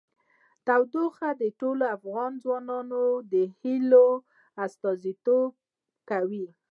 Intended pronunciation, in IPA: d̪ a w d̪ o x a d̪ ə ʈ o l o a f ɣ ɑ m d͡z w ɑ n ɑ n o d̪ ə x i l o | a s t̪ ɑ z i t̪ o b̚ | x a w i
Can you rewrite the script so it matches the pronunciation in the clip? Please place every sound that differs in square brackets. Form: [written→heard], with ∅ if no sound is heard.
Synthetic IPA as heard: [d̪→t̪] a w d̪ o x a d̪ ə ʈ o l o a f ɣ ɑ [m→n] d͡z w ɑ n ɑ n o d̪ ə [x→h] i l o | a s t̪ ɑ z i t̪ o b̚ | [x→k] a w i